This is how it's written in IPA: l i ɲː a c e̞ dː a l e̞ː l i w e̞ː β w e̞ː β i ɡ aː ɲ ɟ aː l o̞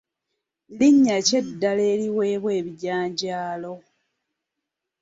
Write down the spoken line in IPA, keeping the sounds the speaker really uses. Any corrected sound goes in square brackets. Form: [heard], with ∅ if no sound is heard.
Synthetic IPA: l i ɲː a c e̞ dː a l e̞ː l i w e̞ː β w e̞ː β i [ɟ] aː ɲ ɟ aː l o̞